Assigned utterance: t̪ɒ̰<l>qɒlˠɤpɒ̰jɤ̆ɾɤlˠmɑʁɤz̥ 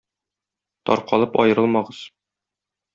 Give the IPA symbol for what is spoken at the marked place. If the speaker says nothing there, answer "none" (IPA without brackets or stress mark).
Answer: ɾ